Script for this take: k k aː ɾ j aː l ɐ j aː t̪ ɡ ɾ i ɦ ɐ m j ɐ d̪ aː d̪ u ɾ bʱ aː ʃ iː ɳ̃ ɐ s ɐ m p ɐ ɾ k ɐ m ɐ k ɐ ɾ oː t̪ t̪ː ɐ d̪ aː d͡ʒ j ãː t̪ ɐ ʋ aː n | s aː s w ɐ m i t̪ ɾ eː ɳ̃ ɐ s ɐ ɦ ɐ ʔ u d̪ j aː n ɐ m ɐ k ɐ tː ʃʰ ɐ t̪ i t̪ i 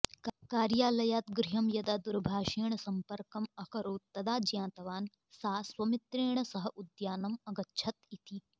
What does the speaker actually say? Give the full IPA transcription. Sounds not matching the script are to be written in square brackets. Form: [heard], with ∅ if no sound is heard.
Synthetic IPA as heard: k k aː ɾ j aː l ɐ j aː t̪ ɡ ɾ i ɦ ɐ m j ɐ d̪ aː d̪ u ɾ bʱ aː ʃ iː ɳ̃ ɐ s ɐ m p ɐ ɾ k ɐ m ɐ k ɐ ɾ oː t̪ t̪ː ɐ d̪ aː d͡ʒ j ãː t̪ ɐ ʋ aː n | s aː s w ɐ m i t̪ ɾ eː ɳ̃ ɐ s ɐ ɦ ɐ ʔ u d̪ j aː n ɐ m ɐ [ɡ] ɐ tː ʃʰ ɐ t̪ i t̪ i